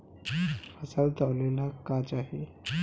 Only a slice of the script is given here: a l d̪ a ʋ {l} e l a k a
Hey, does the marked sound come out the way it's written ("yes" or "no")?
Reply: yes